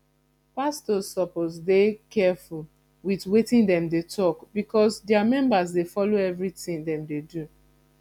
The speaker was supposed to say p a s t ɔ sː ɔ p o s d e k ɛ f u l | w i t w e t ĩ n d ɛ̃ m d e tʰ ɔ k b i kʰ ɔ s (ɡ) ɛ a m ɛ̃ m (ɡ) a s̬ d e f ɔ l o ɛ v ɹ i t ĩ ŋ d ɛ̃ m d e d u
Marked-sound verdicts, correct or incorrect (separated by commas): incorrect, incorrect